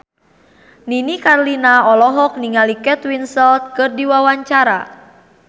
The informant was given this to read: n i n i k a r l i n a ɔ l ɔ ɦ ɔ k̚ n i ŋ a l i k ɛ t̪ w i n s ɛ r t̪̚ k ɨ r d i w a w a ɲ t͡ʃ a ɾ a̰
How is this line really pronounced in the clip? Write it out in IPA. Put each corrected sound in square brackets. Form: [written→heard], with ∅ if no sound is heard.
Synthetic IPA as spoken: n i n i k a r l i n a ɔ l ɔ ɦ ɔ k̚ n i ŋ a l i k ɛ t̪ w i n s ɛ [r→l] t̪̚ k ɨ r d i w a w a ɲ t͡ʃ a ɾ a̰